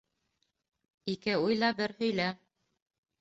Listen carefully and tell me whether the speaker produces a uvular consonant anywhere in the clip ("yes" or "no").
no